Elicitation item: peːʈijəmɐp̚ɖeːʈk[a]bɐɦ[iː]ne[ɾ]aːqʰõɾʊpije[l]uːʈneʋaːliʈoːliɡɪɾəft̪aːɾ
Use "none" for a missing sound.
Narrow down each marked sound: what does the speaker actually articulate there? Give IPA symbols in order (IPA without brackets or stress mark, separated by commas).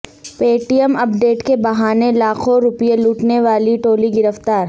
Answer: e, aː, l, l